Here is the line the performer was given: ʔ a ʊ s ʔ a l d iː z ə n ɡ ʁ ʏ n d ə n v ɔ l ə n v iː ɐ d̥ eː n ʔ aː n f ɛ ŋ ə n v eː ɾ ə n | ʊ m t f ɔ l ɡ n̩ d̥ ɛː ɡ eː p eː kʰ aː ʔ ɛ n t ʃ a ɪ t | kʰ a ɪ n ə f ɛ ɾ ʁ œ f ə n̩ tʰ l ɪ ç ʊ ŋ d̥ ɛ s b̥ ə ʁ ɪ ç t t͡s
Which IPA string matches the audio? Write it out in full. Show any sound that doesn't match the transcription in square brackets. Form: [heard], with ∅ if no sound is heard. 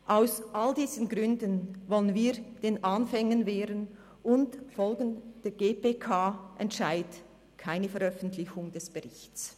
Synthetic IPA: ʔ a ʊ s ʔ a l d iː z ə n ɡ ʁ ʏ n d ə n v ɔ l ə n v iː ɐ d̥ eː n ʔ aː n f ɛ ŋ ə n v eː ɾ ə n | ʊ [n] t f ɔ l ɡ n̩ d̥ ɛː ɡ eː p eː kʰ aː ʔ ɛ n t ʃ a ɪ t | kʰ a ɪ n ə f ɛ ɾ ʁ œ f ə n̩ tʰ l ɪ ç ʊ ŋ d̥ ɛ s b̥ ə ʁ ɪ ç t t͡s